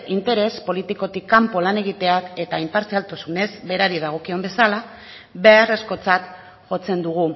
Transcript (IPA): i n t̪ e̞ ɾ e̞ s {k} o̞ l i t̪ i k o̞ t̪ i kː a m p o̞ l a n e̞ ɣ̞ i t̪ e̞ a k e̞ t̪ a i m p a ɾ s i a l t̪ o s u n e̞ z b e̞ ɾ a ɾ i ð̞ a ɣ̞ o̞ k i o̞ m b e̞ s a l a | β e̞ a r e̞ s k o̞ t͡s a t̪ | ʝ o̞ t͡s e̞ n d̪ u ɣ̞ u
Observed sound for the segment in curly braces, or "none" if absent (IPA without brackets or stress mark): p